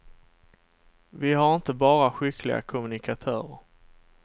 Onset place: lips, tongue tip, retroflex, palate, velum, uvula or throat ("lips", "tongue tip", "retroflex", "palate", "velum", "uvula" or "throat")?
lips